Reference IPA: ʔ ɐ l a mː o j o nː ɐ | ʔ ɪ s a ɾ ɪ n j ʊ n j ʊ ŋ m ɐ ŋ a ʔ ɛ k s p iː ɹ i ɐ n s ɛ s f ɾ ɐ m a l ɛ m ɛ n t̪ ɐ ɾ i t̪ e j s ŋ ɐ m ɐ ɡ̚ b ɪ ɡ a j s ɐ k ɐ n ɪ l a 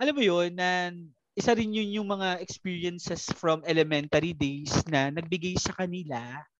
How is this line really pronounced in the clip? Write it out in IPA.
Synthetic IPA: ʔ ɐ l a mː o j o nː ɐ | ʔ ɪ s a ɾ ɪ n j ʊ n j ʊ ŋ m ɐ ŋ a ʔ ɛ k s p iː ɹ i ɐ n s ɛ s f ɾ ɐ m ɛ l ɛ m ɛ n t̪ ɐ ɾ i d̪ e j s n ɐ n ɐ ɡ̚ b ɪ ɡ a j s ɐ k ɐ n ɪ l a